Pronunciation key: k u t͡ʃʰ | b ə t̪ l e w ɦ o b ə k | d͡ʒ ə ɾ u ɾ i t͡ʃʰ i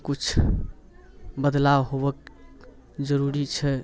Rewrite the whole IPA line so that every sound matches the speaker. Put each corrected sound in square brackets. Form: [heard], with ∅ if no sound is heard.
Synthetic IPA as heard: k u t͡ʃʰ | b ə [d̪] l [a] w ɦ o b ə k | d͡ʒ ə ɾ u ɾ i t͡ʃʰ [ɛ]